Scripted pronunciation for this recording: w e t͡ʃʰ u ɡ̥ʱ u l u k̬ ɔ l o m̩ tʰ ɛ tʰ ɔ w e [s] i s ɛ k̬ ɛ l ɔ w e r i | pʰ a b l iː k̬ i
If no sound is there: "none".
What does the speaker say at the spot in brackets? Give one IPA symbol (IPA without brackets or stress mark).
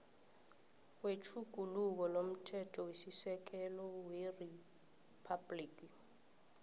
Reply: s